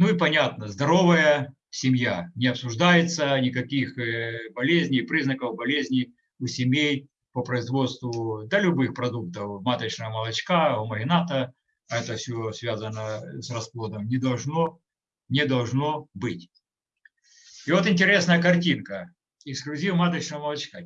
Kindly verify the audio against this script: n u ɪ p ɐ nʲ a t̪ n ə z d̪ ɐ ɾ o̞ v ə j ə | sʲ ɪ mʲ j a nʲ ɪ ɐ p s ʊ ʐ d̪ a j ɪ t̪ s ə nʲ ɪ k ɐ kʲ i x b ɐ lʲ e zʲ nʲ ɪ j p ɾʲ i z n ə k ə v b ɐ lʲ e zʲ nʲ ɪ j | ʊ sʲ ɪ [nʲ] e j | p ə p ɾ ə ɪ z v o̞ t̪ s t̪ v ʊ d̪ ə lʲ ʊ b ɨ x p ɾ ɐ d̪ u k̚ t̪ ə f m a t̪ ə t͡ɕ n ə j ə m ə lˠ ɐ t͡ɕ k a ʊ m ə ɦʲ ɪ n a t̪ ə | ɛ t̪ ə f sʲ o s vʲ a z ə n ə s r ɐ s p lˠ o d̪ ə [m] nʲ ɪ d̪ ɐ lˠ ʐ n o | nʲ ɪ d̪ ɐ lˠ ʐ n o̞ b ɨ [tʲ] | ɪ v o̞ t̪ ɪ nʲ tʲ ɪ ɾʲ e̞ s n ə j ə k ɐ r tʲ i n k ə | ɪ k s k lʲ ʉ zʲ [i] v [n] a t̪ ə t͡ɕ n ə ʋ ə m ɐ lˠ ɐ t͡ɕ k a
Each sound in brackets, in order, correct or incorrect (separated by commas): incorrect, correct, correct, correct, incorrect